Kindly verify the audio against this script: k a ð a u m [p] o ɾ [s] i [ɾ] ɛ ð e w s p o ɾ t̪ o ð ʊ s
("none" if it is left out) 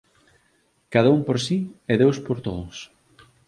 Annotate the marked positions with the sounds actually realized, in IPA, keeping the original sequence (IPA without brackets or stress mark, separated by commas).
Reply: p, s, none